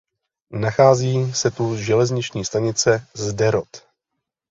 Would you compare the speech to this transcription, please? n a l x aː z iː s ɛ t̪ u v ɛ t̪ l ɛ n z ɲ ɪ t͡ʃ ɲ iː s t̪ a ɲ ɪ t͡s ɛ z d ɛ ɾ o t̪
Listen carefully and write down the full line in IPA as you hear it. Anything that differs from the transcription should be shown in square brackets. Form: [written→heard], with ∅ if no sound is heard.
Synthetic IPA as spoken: n a [l→∅] x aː z iː s ɛ t̪ u [v→ʒ] ɛ [t̪→∅] l ɛ [n→∅] z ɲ ɪ t͡ʃ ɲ iː s t̪ a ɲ ɪ t͡s ɛ z d ɛ ɾ o t̪